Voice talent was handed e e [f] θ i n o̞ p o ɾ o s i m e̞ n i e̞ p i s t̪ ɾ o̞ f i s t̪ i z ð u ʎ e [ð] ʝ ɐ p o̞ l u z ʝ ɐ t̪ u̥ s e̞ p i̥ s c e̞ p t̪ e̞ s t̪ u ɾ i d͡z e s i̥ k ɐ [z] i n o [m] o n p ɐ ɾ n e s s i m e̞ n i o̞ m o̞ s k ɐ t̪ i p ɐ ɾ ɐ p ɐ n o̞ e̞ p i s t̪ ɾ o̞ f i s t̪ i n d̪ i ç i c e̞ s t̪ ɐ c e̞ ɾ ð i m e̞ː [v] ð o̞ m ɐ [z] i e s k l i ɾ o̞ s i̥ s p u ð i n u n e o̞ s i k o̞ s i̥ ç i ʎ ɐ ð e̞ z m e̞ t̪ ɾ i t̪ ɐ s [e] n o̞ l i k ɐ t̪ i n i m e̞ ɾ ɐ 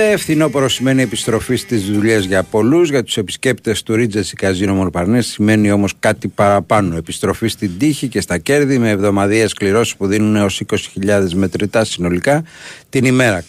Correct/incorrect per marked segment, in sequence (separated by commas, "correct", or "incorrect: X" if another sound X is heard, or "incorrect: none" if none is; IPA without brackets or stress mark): correct, incorrect: z, correct, correct, correct, incorrect: ð, incorrect: i